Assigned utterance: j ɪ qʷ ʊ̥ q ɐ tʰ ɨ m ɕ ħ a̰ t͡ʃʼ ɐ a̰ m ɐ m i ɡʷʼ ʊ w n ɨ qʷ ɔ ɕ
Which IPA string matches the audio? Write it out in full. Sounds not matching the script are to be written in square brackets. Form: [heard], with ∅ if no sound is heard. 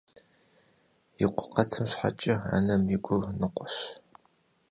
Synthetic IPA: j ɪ qʷ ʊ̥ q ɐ tʰ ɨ m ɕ ħ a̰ t͡ʃʼ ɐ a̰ [n] ɐ m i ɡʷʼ ʊ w n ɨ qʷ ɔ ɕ